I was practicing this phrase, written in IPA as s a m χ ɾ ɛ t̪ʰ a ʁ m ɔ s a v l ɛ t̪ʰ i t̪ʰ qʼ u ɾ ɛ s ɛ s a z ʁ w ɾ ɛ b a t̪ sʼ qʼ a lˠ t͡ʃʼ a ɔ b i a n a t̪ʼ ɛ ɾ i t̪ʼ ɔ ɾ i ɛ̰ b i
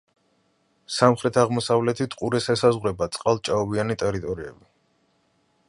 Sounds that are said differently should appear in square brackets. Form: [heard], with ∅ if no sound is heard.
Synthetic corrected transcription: s a m χ ɾ ɛ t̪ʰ a ʁ m ɔ s a v l ɛ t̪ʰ i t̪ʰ qʼ u ɾ ɛ s ɛ s a z ʁ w ɾ ɛ b a t̪ sʼ qʼ a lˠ t͡ʃʼ a ɔ b i a n [i] t̪ʼ ɛ ɾ i t̪ʼ ɔ ɾ i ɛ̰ b i